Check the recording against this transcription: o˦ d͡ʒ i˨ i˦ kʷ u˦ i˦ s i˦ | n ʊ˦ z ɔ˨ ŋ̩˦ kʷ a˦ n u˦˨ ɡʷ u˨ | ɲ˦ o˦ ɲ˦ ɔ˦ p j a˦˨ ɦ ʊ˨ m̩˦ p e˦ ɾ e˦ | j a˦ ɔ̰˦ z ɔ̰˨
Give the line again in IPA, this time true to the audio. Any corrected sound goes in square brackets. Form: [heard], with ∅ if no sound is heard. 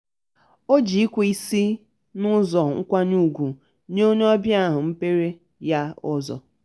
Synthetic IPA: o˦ d͡ʒ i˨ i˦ kʷ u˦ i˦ s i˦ | n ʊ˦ z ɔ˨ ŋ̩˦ kʷ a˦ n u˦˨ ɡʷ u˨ | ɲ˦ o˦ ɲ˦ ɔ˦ [b] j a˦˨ ɦ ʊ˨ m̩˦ p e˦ ɾ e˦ | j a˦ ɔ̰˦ z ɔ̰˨

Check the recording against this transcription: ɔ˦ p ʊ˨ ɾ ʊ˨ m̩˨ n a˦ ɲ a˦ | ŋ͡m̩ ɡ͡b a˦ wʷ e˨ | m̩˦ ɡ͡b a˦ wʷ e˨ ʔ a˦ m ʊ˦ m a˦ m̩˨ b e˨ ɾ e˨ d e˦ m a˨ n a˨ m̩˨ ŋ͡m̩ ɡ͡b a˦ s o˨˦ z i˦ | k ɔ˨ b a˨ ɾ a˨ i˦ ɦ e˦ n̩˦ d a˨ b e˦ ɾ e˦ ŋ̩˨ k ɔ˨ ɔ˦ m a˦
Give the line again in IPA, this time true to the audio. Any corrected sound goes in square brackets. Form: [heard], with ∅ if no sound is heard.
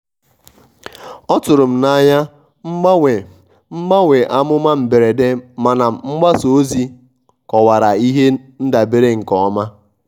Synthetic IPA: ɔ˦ [t] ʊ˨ ɾ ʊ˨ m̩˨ n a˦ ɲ a˦ | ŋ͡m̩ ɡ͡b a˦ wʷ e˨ | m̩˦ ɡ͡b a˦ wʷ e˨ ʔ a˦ m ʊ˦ m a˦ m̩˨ b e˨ ɾ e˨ d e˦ m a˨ n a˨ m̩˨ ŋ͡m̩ ɡ͡b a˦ s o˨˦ z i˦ | k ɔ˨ [w] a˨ ɾ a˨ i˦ ɦ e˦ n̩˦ d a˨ b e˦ ɾ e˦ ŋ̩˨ k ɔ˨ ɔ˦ m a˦

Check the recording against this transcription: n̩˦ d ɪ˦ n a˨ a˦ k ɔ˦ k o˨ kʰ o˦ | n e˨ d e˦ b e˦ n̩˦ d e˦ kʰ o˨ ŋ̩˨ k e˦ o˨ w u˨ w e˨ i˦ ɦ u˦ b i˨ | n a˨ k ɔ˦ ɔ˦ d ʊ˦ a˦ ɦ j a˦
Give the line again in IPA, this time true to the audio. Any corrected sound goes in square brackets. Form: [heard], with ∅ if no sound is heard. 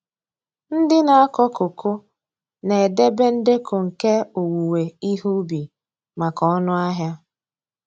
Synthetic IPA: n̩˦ d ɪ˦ n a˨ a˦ k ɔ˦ k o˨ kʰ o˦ | n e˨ d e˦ b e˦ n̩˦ d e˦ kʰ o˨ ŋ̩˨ k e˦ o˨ w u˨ w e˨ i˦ ɦ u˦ b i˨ | [m] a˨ k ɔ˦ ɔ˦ [n] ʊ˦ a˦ ɦ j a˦

